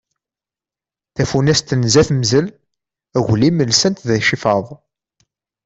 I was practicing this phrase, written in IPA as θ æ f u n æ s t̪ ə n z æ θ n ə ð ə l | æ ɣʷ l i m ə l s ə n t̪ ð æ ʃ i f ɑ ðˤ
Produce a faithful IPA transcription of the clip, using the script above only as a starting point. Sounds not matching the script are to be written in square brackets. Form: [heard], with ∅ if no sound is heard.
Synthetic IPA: θ æ f u n æ s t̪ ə n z æ θ [m] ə [z] ə l | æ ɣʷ l i m ə l s ə n t̪ ð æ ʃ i f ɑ ðˤ

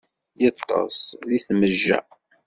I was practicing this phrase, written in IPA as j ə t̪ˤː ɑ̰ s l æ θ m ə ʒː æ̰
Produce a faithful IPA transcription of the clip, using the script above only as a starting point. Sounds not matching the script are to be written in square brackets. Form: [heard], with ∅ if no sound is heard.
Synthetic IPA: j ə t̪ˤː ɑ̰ s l [i] θ m ə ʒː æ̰

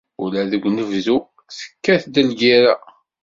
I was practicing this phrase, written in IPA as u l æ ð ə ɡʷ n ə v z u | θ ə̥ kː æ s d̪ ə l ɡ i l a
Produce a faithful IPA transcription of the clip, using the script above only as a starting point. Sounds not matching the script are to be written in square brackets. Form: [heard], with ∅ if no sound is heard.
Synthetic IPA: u l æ ð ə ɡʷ n ə v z u | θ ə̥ kː æ [θ] d̪ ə l ɡ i [ɾ] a

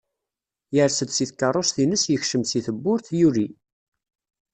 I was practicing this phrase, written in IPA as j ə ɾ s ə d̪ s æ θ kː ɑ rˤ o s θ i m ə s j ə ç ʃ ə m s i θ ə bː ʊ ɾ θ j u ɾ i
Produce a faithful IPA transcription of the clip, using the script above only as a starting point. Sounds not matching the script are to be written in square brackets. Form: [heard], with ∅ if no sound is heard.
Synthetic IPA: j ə ɾ s ə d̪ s [i] θ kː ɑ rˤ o s θ i [n] ə s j ə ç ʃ ə m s i θ ə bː ʊ ɾ θ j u ɾ i

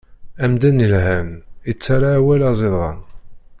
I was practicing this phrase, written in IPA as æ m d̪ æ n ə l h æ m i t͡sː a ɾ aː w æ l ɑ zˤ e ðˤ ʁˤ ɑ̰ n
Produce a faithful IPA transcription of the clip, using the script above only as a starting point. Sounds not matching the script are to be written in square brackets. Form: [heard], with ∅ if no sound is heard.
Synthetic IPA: æ m d̪ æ n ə l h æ m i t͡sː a ɾ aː w æ l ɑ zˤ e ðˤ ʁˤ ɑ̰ n

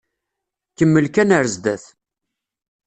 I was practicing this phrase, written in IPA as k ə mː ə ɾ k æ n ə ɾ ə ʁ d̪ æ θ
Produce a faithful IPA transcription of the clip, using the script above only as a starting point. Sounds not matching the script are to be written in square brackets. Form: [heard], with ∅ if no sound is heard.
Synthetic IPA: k ə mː ə [l] k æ n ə ɾ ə [z] d̪ æ θ

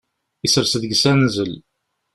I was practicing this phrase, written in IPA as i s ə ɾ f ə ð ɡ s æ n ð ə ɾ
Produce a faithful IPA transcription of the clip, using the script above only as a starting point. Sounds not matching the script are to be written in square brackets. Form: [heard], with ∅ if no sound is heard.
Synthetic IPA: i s ə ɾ [s] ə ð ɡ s æ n [z] ə [l]

